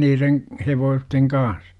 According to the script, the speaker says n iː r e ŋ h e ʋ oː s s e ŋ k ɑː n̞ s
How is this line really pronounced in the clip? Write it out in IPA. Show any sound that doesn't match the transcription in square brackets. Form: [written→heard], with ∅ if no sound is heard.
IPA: n iː r e ŋ h e ʋ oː s [s→t] e ŋ k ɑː n̞ s